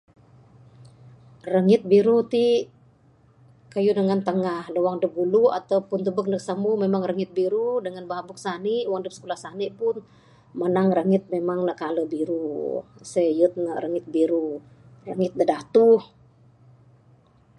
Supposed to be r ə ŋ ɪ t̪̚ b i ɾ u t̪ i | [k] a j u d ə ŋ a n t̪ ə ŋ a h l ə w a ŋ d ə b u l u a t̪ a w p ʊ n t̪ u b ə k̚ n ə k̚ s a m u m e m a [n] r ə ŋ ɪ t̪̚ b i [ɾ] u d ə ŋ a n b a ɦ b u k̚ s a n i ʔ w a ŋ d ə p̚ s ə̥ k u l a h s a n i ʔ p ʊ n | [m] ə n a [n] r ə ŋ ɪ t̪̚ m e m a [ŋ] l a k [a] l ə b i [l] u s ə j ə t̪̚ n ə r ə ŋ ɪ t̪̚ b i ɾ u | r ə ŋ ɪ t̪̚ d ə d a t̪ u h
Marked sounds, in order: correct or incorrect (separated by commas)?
correct, incorrect, correct, correct, incorrect, correct, correct, incorrect